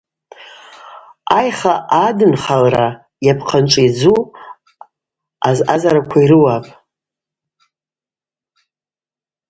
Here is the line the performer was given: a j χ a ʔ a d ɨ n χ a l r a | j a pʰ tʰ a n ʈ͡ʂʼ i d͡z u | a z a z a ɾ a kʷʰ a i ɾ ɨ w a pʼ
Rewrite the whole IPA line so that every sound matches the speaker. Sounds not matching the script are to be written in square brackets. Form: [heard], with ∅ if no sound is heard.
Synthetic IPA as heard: a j χ a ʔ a d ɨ n χ a l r a | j a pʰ [qʰ] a n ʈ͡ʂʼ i d͡z u | a z a z a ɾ a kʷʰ a i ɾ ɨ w a pʼ